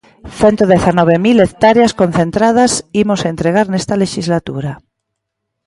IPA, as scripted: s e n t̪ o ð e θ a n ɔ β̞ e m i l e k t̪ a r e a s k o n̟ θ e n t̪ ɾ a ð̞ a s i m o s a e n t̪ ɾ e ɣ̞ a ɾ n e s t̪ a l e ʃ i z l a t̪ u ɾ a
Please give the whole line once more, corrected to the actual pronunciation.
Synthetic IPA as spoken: θ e n t̪ o ð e θ a n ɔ β̞ e m i l e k t̪ a ɾ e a s k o n̟ θ e n t̪ ɾ a ð̞ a s i m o s a e n t̪ ɾ e ɣ̞ a ɾ n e s t̪ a l e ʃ i z l a t̪ u ɾ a